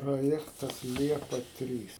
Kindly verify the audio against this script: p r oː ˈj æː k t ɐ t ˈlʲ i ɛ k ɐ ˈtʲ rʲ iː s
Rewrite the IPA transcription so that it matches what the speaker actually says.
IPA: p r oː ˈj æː k t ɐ s ˈlʲ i ɛ p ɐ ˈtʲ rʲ iː s